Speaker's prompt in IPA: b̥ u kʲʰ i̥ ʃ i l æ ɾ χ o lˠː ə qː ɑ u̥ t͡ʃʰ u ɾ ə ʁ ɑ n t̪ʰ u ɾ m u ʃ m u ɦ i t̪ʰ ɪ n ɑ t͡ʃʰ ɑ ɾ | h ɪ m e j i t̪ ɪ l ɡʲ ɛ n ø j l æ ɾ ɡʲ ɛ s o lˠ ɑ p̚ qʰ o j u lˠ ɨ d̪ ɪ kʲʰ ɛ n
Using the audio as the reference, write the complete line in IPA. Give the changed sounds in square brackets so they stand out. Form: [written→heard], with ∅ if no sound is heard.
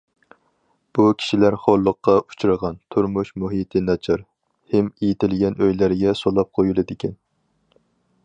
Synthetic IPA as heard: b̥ u kʲʰ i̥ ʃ i l æ ɾ χ o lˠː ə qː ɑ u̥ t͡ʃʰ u ɾ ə ʁ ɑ n t̪ʰ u ɾ m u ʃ m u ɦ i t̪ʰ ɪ n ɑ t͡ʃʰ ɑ ɾ | h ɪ m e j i t̪ ɪ l ɡʲ ɛ n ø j l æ ɾ ɡʲ ɛ s o lˠ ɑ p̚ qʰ o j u lˠ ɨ d̪ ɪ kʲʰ ɛ n